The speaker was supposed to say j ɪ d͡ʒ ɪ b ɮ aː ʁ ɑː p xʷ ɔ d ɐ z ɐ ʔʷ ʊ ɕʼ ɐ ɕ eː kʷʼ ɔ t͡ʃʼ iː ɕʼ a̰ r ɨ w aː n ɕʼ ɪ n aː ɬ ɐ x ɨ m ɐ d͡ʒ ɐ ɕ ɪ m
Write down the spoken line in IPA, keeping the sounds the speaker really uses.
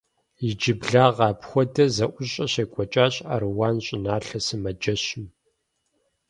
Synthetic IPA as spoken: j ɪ d͡ʒ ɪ b ɮ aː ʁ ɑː p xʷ ɔ d ɐ z ɐ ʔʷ ʊ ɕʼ ɐ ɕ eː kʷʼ ɔ t͡ʃʼ aː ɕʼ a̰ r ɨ w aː n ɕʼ ɪ n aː ɬ ɐ s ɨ m ɐ d͡ʒ ɐ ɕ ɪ m

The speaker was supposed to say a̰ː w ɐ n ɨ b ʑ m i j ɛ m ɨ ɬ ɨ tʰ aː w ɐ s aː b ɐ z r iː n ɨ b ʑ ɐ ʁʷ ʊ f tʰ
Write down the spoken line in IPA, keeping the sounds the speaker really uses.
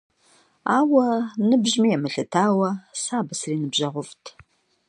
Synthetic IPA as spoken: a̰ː w ɐ n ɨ b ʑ m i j ɛ m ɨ ɬ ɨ tʰ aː w ɐ s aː b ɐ s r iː n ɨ b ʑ ɐ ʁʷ ʊ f tʰ

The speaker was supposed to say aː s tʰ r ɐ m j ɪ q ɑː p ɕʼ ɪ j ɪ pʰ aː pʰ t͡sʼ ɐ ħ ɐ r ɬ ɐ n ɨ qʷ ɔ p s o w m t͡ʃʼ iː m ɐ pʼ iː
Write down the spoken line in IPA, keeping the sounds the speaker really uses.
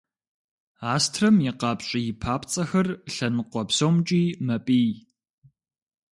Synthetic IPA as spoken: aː s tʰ r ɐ m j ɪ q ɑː p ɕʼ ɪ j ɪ pʰ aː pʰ t͡sʼ ɐ x ɐ r ɬ ɐ n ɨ qʷ ɔ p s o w m t͡ʃʼ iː m ɐ pʼ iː

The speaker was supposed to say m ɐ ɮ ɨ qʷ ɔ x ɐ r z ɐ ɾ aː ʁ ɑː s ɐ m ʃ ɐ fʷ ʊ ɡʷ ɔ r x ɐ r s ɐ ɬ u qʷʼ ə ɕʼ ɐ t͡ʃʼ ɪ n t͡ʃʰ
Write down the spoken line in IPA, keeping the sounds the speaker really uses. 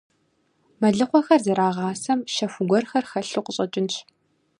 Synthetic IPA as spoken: m ɐ ɮ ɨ qʷ ɔ x ɐ r z ɐ ɾ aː ʁ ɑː s ɐ m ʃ ɐ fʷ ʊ ɡʷ ɔ r x ɐ r x ɐ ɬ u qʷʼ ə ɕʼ ɐ t͡ʃʼ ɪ n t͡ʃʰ

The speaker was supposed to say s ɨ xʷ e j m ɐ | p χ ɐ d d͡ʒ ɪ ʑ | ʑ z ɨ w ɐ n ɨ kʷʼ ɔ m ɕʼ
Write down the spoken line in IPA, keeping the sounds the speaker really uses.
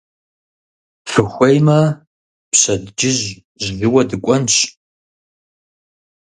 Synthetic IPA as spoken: f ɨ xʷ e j m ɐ | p ɕ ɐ d d͡ʒ ɪ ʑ | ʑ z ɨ w ɐ d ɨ kʷʼ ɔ n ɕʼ

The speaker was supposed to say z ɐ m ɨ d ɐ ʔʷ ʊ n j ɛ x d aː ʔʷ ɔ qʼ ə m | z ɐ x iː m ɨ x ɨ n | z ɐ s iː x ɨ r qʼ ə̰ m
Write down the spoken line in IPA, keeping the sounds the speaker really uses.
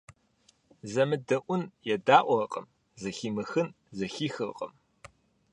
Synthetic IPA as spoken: z ɐ m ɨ d ɐ ʔʷ ʊ n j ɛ d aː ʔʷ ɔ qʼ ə m | z ɐ x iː m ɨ x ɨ n | z ɐ x iː x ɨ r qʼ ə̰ m

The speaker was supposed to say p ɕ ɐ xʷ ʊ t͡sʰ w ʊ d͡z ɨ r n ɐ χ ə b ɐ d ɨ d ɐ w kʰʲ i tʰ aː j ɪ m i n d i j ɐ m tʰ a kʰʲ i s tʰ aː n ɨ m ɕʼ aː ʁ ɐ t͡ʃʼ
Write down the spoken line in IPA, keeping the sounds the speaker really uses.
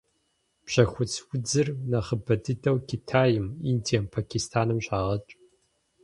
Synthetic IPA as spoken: p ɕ ɐ xʷ ʊ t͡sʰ w ʊ d͡z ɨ r n ɐ χ ə b ɐ d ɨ d ɐ w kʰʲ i tʰ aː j ɪ m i n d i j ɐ m pʰ a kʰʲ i s tʰ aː n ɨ m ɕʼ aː ʁ ɐ t͡ʃʼ

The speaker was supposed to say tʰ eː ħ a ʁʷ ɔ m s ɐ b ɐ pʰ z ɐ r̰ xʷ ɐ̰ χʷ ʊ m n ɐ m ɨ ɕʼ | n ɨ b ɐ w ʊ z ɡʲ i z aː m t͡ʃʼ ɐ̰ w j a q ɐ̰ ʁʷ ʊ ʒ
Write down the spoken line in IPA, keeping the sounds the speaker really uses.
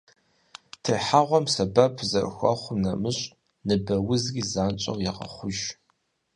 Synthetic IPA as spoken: tʰ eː ħ a ʁʷ ɔ m s ɐ b ɐ pʰ z ɐ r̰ xʷ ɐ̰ χʷ ʊ m n ɐ m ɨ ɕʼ | n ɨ b ɐ w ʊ z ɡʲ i z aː n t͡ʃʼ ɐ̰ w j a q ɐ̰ χʷ ʊ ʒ

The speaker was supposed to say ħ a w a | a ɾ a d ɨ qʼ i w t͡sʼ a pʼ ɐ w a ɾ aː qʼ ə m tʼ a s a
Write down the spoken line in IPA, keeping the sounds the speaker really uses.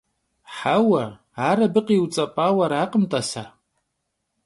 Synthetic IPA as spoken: ħ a w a | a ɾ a b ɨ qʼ i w t͡sʼ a pʼ a w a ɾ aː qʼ ə m tʼ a s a

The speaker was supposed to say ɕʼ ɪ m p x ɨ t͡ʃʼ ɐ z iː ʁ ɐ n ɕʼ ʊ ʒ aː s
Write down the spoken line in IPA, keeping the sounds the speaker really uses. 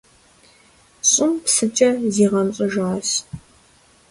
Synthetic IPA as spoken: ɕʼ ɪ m p s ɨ t͡ʃʼ ɐ z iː ʁ ɐ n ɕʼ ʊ ʒ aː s

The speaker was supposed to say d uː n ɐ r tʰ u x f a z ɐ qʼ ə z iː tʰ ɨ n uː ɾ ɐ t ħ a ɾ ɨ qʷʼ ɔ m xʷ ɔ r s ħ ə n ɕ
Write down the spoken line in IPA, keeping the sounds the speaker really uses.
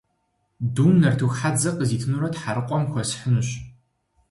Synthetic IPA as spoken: d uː n ɐ r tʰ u x ħ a d͡z ɐ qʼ ə z iː tʰ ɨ n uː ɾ ɐ t ħ a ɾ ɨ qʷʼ ɔ m xʷ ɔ s ħ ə n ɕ

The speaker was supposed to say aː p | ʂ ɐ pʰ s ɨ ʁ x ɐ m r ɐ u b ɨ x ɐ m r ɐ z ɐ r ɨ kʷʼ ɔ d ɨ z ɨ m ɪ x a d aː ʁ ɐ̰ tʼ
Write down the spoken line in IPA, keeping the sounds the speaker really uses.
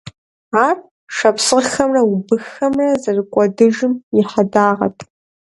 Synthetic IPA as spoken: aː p | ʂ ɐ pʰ s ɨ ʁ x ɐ m r ɐ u b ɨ x ɐ m r ɐ z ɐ r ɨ kʷʼ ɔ d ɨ ʒ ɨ m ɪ ħ a d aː ʁ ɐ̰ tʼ

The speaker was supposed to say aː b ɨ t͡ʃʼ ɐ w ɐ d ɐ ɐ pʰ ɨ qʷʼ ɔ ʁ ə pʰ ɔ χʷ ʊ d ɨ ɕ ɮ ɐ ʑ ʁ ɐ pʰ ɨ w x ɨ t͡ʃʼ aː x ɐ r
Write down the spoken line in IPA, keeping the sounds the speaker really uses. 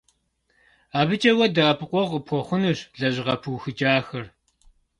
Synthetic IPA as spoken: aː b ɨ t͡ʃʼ ɐ w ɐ d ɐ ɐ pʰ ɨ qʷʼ ɔ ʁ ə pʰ ɔ χʷ ʊ n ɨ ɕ ɮ ɐ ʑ ʁ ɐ pʰ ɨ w x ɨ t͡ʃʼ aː x ɐ r

